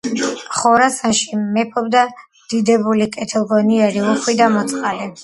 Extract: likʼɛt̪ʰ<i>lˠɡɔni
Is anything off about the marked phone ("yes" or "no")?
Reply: yes